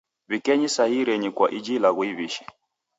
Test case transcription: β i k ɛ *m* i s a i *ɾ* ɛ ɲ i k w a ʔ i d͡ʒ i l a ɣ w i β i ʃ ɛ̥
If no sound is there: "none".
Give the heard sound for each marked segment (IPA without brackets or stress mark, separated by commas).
ɲ, ɾ